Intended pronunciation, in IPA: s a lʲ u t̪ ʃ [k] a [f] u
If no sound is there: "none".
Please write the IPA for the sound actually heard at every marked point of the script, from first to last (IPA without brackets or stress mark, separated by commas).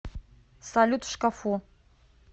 k, f